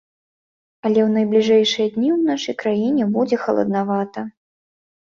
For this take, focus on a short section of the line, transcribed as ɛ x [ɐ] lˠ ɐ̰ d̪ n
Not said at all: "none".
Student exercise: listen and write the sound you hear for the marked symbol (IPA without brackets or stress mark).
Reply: ɐ